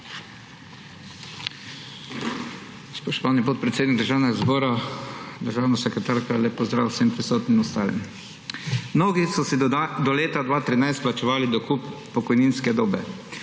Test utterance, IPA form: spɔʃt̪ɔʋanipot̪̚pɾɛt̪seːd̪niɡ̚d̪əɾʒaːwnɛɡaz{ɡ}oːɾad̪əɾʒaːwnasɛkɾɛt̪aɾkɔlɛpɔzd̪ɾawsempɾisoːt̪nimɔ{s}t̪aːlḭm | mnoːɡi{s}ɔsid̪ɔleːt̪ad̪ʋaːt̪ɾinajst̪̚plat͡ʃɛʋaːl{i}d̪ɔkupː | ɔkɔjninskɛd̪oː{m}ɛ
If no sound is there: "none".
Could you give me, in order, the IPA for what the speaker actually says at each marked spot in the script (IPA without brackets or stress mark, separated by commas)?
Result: b, s, s, i, b